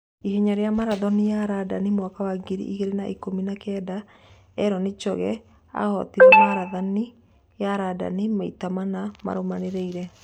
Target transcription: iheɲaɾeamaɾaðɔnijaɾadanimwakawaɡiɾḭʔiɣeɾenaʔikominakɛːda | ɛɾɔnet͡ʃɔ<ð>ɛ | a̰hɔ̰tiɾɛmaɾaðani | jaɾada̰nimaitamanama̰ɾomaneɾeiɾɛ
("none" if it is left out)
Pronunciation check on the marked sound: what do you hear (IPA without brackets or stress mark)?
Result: ɣ